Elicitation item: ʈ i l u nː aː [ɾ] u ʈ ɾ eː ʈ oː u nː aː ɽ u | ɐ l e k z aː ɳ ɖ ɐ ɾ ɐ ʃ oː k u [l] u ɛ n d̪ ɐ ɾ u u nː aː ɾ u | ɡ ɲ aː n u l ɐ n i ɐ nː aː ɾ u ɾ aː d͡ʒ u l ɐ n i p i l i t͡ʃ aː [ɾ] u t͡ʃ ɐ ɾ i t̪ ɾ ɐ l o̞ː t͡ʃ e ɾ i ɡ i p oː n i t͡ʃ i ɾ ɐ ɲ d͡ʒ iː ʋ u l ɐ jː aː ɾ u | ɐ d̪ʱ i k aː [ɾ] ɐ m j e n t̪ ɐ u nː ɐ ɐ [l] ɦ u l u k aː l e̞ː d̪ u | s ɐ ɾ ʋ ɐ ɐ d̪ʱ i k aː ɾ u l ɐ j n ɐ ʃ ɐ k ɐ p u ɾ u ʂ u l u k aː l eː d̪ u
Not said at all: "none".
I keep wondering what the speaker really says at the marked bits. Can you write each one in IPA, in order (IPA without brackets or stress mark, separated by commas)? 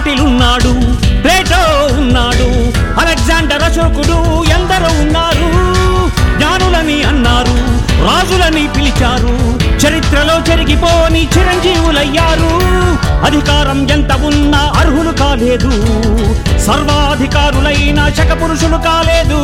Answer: ɽ, ɽ, ɾ, ɾ, ɾ